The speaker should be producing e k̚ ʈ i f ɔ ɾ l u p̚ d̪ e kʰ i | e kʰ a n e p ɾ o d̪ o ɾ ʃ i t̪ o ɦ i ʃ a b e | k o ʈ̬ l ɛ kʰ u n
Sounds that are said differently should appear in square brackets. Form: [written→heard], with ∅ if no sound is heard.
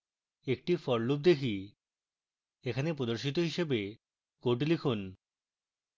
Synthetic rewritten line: e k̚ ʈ i f ɔ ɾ l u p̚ d̪ e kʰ i | e kʰ a n e p ɾ o d̪ o ɾ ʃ i t̪ o ɦ i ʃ [a→e] b e | k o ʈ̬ l [ɛ→i] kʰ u n